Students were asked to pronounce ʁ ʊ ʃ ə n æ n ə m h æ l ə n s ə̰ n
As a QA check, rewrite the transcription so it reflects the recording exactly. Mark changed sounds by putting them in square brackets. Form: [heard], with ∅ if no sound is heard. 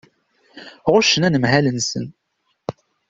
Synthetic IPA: ʁ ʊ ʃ ə n æ n ə m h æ l ə n s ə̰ n